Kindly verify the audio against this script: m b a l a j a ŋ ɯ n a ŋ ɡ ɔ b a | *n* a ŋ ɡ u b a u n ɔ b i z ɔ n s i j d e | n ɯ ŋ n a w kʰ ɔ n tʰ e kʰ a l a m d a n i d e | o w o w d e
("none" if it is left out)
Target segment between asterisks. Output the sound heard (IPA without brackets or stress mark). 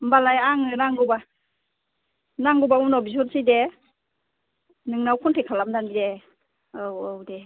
n